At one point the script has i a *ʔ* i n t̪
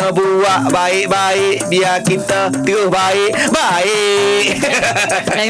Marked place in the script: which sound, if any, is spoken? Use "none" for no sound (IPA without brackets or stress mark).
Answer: k